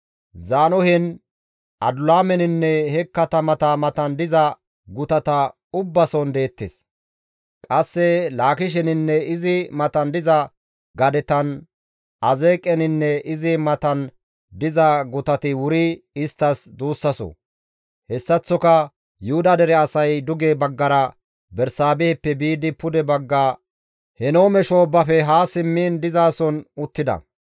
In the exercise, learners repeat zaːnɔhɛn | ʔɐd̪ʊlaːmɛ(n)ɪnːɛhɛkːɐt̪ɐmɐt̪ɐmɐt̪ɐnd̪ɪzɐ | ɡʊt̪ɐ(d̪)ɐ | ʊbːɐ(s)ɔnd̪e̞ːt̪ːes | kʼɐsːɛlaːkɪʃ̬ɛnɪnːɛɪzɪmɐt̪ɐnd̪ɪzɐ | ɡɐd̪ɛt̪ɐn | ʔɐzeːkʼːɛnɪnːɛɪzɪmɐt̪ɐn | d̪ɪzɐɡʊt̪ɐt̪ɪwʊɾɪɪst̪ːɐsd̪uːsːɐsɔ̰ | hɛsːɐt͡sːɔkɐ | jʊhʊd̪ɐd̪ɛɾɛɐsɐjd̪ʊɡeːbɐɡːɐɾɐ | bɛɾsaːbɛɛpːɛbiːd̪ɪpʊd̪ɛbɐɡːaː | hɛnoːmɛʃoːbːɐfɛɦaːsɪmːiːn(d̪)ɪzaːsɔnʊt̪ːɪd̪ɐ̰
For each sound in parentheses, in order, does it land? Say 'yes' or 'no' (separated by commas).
yes, no, yes, yes